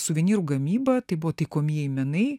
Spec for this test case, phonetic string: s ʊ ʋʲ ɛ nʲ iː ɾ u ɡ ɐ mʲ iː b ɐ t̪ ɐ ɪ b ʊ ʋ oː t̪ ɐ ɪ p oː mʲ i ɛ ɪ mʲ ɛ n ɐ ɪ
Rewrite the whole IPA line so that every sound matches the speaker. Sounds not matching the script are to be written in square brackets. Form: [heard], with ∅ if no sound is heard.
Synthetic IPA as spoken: s ʊ ʋʲ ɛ nʲ iː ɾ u ɡ ɐ mʲ iː b ɐ t̪ ɐ ɪ b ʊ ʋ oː t̪ ɐ ɪ [k] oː mʲ i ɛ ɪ mʲ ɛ n ɐ ɪ

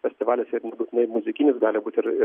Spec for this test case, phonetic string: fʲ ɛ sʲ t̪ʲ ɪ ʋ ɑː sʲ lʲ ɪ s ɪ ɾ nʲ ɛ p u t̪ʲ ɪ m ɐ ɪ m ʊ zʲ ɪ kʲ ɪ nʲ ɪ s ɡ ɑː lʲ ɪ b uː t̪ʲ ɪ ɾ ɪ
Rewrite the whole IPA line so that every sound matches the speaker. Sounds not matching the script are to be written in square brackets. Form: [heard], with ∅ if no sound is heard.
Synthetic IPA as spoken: fʲ ɛ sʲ t̪ʲ ɪ ʋ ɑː [∅] lʲ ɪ s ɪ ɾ nʲ ɛ [b] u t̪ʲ ɪ [n] ɐ ɪ m ʊ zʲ ɪ kʲ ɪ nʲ ɪ s ɡ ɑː lʲ ɪ b uː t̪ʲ ɪ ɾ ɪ

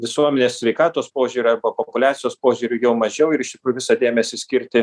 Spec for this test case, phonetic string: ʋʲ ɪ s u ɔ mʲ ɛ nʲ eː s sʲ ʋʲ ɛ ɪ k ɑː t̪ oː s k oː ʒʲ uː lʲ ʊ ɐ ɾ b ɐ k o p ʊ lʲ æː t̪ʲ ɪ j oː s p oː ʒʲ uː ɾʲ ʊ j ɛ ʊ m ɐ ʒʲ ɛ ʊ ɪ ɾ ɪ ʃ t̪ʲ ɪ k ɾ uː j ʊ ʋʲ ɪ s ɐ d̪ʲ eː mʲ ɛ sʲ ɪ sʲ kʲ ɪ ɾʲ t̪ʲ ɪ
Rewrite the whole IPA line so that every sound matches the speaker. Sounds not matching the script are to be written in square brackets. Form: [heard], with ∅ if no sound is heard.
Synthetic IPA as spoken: ʋʲ ɪ s u ɔ mʲ ɛ nʲ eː s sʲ ʋʲ ɛ ɪ k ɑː t̪ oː s [p] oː ʒʲ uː [ɾʲ] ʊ ɐ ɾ b ɐ [p] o p ʊ lʲ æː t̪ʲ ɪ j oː s p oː ʒʲ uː ɾʲ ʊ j ɛ ʊ m ɐ ʒʲ ɛ ʊ ɪ ɾ ɪ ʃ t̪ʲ ɪ k ɾ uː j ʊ ʋʲ ɪ s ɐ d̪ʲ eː mʲ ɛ sʲ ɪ sʲ kʲ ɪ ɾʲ t̪ʲ ɪ

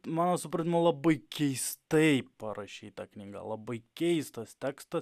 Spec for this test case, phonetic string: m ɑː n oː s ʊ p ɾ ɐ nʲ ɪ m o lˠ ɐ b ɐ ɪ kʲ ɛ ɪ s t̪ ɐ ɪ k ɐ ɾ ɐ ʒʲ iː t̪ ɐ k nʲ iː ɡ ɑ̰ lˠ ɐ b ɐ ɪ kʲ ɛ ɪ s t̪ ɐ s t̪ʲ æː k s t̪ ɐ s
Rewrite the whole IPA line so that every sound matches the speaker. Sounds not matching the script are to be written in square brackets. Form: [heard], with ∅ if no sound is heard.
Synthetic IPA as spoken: m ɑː n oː s ʊ p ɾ ɐ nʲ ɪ m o lˠ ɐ b ɐ ɪ kʲ ɛ ɪ s t̪ ɐ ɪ [p] ɐ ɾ ɐ [ʃʲ] iː t̪ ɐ k nʲ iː ɡ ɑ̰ lˠ ɐ b ɐ ɪ kʲ ɛ ɪ s t̪ ɐ s t̪ʲ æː k s t̪ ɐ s

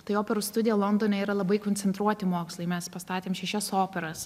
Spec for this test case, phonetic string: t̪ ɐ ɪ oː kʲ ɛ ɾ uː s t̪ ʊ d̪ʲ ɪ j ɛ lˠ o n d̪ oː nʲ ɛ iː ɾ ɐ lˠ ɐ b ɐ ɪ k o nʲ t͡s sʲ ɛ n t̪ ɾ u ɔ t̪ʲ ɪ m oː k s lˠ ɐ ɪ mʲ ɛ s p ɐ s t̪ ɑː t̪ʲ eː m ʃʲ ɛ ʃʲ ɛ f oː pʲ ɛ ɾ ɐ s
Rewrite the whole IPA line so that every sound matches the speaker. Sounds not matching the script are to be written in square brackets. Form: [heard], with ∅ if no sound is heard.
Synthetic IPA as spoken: t̪ ɐ ɪ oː [pʲ] ɛ ɾ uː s t̪ ʊ d̪ʲ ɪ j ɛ lˠ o n d̪ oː nʲ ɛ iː ɾ ɐ lˠ ɐ b ɐ ɪ k o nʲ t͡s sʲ ɛ n t̪ ɾ u ɔ t̪ʲ ɪ m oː k s lˠ ɐ ɪ mʲ ɛ s p ɐ s t̪ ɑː t̪ʲ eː m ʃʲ ɛ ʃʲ ɛ [s] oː pʲ ɛ ɾ ɐ s

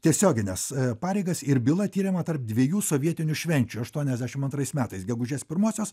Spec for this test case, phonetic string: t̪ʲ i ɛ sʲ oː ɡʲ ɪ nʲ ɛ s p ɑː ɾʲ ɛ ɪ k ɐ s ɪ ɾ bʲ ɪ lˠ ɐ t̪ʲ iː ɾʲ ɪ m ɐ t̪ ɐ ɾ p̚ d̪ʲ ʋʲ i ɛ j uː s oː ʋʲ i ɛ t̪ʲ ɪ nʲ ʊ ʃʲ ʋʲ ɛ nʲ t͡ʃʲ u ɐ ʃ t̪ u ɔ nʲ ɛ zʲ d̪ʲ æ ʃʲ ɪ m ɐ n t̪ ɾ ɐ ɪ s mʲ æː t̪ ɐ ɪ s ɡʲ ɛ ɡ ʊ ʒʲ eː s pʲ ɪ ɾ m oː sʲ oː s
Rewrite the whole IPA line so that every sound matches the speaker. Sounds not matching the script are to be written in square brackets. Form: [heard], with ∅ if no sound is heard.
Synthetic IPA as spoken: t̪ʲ i ɛ sʲ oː ɡʲ ɪ nʲ ɛ s p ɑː ɾʲ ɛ ɪ [ɡ] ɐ s ɪ ɾ bʲ ɪ lˠ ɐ t̪ʲ iː ɾʲ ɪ m ɐ t̪ ɐ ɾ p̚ d̪ʲ ʋʲ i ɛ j uː s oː ʋʲ i ɛ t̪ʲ ɪ nʲ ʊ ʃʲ ʋʲ ɛ nʲ t͡ʃʲ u ɐ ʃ t̪ u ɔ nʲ ɛ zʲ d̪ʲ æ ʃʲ ɪ m ɐ n t̪ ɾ ɐ ɪ s mʲ æː t̪ ɐ ɪ s ɡʲ ɛ ɡ ʊ ʒʲ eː s pʲ ɪ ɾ m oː sʲ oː s

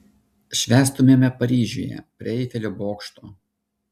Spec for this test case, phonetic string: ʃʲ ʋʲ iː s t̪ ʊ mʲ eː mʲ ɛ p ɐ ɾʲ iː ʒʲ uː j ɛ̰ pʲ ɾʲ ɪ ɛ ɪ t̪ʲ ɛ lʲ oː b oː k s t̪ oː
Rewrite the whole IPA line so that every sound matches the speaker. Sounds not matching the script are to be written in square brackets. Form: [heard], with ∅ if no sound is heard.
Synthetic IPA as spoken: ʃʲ ʋʲ [æː] s t̪ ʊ mʲ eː mʲ ɛ p ɐ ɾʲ iː ʒʲ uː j ɛ̰ pʲ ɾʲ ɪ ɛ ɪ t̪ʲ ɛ lʲ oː b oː k [ʃ] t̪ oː

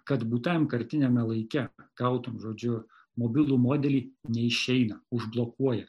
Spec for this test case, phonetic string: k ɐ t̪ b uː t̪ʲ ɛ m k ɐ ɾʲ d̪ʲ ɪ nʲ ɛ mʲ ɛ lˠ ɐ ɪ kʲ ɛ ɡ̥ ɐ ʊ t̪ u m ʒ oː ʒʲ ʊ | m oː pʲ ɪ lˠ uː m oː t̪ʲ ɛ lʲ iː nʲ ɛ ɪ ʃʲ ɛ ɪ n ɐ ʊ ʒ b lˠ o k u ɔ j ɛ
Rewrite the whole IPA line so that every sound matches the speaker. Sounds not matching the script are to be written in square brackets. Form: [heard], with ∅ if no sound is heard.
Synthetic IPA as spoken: k ɐ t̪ b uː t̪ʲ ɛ m k ɐ ɾʲ [t̪ʲ] ɪ nʲ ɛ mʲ ɛ lˠ ɐ ɪ kʲ ɛ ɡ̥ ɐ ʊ t̪ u m ʒ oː [d͡ʒʲ] ʊ | m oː [bʲ] ɪ lˠ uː m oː [d̪ʲ] ɛ lʲ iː nʲ ɛ ɪ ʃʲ ɛ ɪ n ɐ ʊ ʒ b lˠ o k u ɔ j ɛ

